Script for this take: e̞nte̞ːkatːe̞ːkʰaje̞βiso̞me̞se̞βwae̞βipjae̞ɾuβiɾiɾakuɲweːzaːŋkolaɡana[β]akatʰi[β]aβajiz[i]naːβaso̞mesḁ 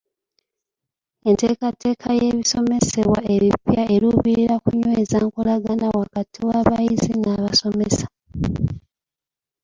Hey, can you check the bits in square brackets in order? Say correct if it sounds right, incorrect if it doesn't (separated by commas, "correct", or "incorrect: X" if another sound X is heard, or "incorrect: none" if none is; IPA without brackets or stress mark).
incorrect: w, incorrect: w, correct